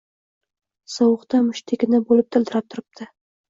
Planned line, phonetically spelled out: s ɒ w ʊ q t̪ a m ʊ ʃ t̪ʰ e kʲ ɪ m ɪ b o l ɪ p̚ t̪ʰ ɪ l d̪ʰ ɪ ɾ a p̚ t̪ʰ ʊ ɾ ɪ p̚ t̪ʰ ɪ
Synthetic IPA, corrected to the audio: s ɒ w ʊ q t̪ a m ʊ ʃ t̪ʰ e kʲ ɪ n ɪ b o l ɪ p̚ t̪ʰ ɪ l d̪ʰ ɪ ɾ a p̚ t̪ʰ ʊ ɾ ɪ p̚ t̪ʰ ɪ